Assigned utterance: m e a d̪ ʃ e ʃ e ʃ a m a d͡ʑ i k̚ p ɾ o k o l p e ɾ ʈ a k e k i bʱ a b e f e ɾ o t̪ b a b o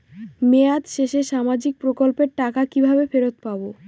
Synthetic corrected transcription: m e a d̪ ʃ e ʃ e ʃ a m a d͡ʑ i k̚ p ɾ o k o l p e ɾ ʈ a k a k i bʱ a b e f e ɾ o t̪ p a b o